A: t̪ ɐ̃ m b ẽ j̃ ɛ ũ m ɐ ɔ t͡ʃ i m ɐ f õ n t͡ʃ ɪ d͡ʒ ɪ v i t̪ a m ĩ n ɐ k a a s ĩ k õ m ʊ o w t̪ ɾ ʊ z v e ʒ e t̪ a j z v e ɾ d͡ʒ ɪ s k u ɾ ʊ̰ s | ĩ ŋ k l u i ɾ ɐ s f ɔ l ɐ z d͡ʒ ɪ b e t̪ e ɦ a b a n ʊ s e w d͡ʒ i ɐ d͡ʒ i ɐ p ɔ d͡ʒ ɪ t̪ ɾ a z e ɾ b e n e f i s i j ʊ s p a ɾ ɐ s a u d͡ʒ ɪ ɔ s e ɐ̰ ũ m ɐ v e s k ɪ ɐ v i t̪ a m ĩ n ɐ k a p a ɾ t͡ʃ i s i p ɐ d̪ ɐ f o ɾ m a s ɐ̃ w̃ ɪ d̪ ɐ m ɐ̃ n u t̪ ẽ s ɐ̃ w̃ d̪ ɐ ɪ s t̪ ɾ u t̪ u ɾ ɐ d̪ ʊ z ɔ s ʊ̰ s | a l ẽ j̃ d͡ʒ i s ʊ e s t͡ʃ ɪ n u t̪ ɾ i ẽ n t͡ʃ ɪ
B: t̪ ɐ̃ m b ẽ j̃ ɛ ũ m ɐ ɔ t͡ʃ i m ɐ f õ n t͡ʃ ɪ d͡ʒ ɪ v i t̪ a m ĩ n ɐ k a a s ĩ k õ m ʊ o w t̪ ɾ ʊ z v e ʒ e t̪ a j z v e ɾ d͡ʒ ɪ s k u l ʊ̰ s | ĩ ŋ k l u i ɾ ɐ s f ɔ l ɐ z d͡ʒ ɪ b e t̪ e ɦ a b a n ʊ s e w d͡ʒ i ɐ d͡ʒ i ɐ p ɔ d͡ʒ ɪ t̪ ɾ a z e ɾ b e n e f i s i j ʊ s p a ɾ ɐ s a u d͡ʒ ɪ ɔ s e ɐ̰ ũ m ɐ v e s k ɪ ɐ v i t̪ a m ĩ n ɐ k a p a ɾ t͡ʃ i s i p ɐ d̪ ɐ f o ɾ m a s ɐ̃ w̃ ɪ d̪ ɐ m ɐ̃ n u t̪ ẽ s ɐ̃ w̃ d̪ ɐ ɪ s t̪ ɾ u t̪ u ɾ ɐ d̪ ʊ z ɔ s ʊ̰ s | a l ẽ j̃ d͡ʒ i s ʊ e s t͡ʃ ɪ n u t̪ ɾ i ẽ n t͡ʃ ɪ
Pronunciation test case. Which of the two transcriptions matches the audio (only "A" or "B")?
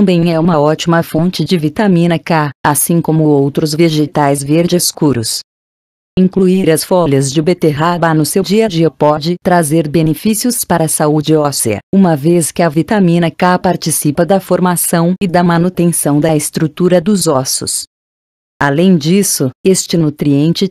A